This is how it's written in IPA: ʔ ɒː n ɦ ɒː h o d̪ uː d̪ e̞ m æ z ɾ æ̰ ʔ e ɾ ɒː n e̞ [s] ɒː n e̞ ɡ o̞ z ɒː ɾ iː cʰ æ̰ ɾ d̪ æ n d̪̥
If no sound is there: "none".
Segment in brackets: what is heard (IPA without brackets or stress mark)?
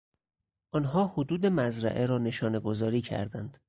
ʃ